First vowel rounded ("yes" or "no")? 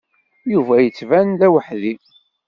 yes